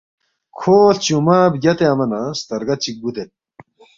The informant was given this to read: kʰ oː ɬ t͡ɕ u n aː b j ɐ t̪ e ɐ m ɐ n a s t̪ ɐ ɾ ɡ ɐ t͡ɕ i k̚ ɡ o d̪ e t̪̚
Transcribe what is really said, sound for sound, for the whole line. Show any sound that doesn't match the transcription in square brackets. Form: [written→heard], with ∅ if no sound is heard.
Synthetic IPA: kʰ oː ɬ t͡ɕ u [n→m] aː b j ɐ t̪ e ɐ m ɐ n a s t̪ ɐ ɾ ɡ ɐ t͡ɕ i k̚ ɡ [o→u] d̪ e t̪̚